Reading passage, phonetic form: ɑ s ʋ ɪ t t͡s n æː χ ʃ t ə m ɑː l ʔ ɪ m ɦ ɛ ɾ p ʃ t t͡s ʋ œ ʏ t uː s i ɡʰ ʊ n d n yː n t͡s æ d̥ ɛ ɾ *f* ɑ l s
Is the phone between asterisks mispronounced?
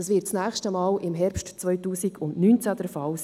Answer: no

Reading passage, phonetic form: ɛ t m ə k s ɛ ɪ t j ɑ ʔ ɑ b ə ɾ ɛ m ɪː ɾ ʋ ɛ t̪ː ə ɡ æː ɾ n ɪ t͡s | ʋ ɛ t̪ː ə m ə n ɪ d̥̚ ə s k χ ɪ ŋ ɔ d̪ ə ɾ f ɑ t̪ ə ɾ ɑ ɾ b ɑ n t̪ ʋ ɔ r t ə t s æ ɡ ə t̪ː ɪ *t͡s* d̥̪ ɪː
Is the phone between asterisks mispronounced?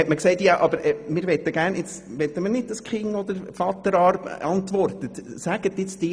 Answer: no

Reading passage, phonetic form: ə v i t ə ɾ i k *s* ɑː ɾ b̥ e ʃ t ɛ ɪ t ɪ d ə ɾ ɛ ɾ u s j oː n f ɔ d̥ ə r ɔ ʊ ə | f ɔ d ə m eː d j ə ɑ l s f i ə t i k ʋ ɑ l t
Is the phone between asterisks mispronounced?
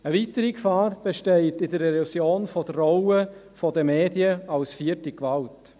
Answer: yes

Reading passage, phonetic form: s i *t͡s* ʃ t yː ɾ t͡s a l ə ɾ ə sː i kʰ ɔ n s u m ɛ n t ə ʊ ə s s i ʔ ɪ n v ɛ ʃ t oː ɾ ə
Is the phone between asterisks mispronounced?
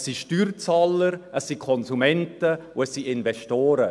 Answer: yes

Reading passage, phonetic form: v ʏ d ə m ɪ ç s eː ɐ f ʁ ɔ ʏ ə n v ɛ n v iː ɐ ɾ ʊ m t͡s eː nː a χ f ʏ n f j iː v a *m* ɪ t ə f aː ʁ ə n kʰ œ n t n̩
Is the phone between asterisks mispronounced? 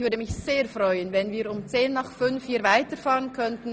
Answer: yes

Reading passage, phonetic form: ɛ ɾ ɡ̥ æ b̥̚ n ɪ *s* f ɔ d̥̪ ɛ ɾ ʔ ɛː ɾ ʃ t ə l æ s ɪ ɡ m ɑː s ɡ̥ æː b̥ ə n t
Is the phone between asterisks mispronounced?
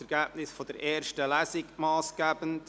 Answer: no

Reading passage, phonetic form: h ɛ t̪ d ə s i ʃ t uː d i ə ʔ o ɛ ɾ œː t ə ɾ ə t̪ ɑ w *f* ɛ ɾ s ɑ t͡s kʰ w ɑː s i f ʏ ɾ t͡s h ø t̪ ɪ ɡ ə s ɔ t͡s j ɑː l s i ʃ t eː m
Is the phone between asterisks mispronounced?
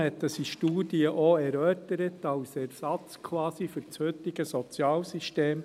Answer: yes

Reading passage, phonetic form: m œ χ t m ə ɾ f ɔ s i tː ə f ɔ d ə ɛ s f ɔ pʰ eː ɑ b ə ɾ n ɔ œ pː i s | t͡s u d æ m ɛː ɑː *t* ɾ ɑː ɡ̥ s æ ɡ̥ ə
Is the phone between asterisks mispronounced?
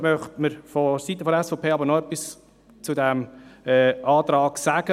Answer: no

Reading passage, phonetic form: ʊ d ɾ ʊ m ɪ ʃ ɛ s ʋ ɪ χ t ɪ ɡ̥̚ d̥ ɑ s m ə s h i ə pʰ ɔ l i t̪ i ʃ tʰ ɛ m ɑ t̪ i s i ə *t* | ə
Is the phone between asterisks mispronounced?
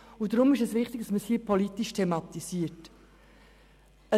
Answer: no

